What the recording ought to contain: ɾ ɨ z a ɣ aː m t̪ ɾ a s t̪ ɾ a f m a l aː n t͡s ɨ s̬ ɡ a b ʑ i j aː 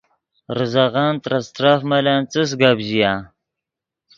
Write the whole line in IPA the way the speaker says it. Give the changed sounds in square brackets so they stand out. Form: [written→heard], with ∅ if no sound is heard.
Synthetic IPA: ɾ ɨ z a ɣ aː [m→n] t̪ ɾ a s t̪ ɾ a f m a l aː n t͡s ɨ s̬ ɡ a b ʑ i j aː